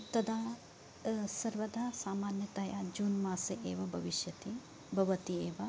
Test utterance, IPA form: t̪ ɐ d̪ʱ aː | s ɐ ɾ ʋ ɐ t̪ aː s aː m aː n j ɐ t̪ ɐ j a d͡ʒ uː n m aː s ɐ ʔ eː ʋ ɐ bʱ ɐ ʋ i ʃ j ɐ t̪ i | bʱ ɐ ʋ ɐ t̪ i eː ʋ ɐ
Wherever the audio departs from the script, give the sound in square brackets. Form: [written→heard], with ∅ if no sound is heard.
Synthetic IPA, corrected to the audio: t̪ ɐ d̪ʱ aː | s ɐ ɾ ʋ ɐ [t̪→d̪] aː s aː m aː n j ɐ t̪ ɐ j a d͡ʒ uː n m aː s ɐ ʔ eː ʋ ɐ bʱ ɐ ʋ i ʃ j ɐ t̪ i | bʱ ɐ ʋ ɐ t̪ i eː ʋ ɐ

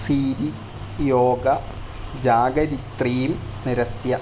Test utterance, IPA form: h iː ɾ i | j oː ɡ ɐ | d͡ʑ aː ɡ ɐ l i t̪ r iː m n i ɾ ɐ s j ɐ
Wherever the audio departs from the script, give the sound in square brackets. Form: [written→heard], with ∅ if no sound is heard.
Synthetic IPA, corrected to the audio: [h→s] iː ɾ i | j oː ɡ ɐ | d͡ʑ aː ɡ ɐ [l→ɾ] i t̪ r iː m n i ɾ ɐ s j ɐ

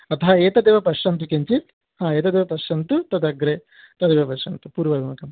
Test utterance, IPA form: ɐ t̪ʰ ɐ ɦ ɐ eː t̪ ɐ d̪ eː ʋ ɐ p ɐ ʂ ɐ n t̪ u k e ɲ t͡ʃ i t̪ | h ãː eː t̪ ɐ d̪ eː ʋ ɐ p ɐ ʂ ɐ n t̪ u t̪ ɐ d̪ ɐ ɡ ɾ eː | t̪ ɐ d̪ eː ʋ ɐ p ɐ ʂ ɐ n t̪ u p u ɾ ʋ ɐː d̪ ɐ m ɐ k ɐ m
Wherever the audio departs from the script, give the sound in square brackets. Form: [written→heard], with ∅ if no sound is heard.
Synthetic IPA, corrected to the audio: ɐ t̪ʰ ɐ ɦ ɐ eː t̪ ɐ d̪ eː ʋ ɐ p ɐ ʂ ɐ n t̪ u k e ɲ t͡ʃ i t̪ | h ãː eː t̪ ɐ d̪ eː ʋ ɐ p ɐ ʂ ɐ n t̪ u t̪ ɐ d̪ ɐ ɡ ɾ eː | t̪ ɐ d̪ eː ʋ ɐ p ɐ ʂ ɐ n t̪ u p [u→uː] ɾ ʋ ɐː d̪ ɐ m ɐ k ɐ m

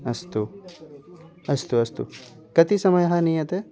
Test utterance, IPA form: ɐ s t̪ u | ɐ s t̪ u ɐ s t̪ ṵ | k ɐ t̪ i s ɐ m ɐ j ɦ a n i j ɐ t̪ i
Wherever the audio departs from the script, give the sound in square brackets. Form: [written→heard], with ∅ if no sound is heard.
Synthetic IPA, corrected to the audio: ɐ s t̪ u | ɐ s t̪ u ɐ s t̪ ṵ | k ɐ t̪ i s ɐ m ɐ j ɦ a n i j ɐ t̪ [i→e]

